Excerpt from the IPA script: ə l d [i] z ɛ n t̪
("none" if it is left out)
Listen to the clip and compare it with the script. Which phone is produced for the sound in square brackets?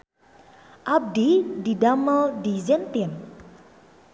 i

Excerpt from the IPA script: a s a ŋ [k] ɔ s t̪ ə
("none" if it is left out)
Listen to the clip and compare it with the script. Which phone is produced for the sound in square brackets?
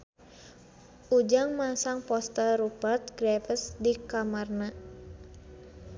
p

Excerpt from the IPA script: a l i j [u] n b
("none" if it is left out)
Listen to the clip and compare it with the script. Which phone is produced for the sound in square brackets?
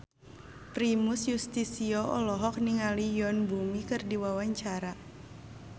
ɔ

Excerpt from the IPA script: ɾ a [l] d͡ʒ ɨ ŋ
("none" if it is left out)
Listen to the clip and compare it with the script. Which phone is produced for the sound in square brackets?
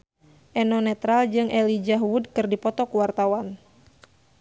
l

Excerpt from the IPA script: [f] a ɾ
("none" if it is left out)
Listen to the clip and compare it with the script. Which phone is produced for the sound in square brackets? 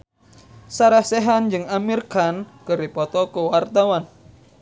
s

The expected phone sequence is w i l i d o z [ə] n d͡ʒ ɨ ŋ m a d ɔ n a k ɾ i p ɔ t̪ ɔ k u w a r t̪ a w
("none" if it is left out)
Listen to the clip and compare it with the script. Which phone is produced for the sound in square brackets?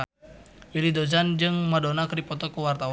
a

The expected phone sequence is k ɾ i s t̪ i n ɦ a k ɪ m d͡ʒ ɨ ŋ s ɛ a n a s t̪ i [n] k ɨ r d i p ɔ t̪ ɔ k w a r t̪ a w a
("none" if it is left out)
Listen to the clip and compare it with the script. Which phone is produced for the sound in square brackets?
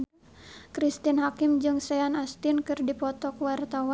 n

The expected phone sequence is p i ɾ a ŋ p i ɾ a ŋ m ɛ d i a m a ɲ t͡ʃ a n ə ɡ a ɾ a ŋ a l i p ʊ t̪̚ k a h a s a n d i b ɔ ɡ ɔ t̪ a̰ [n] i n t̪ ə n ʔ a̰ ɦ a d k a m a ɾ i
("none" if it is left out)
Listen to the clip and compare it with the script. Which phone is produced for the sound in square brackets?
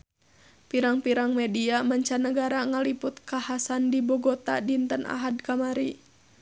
d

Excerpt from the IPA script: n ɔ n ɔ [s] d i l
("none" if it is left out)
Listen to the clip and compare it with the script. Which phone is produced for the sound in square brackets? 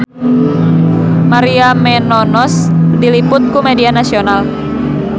s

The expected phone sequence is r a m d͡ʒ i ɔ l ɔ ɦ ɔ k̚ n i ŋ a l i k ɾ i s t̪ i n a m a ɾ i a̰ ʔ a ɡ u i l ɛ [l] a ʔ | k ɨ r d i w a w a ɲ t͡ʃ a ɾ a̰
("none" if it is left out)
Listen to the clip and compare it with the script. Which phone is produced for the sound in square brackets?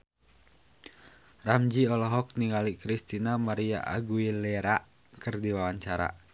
ɾ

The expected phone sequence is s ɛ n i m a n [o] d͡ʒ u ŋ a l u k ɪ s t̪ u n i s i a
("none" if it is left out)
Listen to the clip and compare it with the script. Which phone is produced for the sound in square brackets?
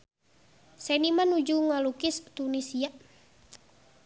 u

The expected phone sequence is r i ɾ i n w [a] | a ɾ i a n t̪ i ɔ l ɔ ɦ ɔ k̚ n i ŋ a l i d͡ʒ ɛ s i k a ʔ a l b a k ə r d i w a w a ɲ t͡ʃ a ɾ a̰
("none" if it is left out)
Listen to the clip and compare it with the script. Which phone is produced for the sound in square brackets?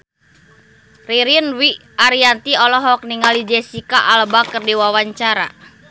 i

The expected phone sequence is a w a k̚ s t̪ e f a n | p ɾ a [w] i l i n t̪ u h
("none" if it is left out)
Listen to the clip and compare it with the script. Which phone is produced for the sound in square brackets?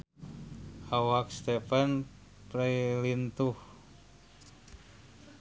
none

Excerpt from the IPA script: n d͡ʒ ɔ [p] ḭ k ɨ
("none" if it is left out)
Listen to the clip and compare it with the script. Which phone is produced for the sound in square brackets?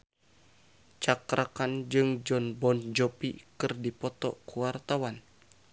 p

